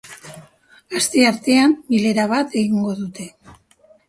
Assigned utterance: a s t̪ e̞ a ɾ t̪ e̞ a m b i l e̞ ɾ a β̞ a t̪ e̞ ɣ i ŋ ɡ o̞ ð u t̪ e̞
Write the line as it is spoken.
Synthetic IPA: a s t̪ e̞ a ɾ t̪ e̞ a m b i l e̞ ɾ a β̞ a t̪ e̞ ɣ i ŋ ɡ o̞ ð u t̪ e̞